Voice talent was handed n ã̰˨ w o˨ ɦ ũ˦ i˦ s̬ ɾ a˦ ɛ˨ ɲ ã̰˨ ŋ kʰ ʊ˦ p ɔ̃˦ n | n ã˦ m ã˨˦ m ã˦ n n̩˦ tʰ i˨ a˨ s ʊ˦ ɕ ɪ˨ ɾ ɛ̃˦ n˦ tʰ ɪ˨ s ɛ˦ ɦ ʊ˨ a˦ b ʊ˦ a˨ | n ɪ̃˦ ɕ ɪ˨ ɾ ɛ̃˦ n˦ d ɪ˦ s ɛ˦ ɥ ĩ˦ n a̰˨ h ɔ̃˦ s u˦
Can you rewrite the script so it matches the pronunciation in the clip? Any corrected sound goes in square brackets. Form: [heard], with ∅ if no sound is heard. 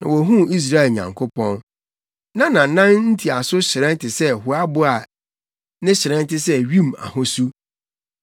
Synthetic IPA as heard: n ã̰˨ w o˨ ɦ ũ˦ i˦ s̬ ɾ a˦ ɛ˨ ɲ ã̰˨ ŋ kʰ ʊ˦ p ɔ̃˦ n | n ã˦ [n] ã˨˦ [n] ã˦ n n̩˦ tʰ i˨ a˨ s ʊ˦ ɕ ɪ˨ ɾ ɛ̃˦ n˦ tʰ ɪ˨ s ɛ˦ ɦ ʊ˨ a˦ b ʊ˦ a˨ | n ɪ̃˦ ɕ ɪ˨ ɾ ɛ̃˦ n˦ [t] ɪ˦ s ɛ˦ ɥ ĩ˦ [m] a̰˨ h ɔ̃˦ s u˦